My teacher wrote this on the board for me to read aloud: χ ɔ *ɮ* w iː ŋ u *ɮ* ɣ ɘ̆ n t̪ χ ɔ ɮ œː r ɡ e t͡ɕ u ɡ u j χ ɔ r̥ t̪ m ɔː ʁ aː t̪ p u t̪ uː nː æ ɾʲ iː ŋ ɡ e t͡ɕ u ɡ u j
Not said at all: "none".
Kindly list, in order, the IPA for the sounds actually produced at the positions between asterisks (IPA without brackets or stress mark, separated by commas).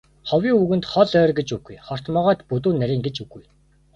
none, none